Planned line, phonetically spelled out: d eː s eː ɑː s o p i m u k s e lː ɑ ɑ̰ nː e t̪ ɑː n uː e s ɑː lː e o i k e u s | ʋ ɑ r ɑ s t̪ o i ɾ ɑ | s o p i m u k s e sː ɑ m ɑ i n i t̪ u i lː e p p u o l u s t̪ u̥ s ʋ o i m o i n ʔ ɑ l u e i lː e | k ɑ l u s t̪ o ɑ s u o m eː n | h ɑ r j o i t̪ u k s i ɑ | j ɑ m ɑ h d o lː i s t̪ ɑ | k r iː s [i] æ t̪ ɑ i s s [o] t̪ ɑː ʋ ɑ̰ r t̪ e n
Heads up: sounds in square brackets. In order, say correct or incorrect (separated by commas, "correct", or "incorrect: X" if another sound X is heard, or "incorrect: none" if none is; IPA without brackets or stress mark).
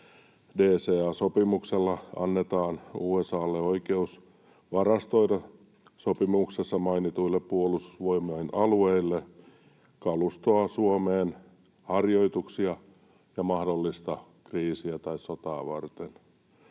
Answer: correct, correct